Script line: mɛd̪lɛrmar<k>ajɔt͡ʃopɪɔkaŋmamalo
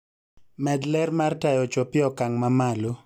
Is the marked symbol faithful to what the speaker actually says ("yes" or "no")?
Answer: no